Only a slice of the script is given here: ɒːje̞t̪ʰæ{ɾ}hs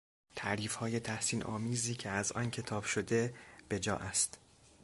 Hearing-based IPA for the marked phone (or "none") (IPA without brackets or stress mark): none